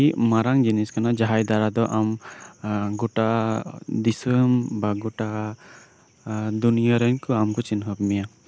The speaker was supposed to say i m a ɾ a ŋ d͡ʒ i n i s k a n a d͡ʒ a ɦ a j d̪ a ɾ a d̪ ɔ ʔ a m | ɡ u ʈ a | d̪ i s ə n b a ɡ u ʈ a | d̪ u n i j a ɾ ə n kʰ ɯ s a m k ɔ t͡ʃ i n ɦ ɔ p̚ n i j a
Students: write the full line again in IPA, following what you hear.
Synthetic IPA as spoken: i m a ɾ a ŋ d͡ʒ i n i s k a n a d͡ʒ a ɦ a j d̪ a ɾ a d̪ ɔ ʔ a m | ɡ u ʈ a | d̪ i s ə m b a ɡ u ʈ a | d̪ u n i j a ɾ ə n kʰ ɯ a m k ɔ t͡ʃ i n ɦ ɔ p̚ m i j a